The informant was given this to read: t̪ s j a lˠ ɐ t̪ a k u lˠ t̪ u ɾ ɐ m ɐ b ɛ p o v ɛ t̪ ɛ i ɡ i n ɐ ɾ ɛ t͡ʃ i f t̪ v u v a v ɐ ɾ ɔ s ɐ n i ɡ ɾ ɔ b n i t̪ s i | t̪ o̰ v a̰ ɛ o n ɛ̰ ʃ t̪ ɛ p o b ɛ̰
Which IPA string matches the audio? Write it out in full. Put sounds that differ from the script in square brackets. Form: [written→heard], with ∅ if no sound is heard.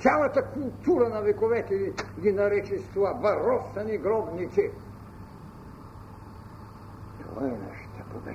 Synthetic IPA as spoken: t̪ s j a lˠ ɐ t̪ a k u lˠ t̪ u ɾ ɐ [m→n] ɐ [b→v] ɛ [p→k] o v ɛ t̪ ɛ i ɡ i n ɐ ɾ ɛ t͡ʃ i [f→s] t̪ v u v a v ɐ ɾ ɔ s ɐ n i ɡ ɾ ɔ b n i t̪ s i | t̪ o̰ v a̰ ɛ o n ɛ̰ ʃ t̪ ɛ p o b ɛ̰